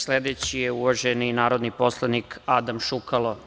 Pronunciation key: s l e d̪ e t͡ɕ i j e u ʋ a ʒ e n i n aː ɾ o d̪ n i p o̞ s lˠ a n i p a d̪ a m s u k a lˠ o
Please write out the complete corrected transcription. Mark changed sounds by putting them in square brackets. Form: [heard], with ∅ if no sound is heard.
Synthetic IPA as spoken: s l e d̪ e t͡ɕ i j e u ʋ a ʒ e n i n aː ɾ o d̪ n i p o̞ s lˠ a n i [k] a d̪ a m [ʃ] u k a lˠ o